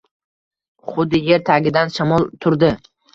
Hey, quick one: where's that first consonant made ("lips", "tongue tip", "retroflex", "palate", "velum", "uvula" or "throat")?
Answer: uvula